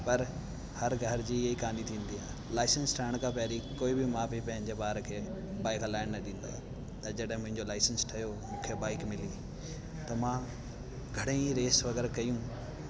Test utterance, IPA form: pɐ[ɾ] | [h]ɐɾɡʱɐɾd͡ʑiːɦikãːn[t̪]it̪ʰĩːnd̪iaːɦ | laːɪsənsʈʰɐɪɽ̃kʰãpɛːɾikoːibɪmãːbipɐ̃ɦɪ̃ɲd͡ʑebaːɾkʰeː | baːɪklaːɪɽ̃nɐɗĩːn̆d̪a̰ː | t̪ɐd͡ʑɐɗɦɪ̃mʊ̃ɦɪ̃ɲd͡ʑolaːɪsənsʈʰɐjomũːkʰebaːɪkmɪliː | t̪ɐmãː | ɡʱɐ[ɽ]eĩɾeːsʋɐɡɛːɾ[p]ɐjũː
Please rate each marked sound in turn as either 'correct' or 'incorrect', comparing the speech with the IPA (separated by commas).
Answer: correct, correct, incorrect, correct, incorrect